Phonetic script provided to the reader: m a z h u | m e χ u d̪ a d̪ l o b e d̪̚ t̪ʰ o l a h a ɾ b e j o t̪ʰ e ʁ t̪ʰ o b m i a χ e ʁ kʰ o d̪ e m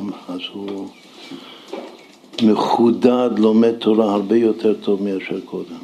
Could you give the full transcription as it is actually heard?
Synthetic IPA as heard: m a z h u | m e χ u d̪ a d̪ l o m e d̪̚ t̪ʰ o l a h a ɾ b e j o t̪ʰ e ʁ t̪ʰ o v m i a ʃ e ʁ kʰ o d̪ e m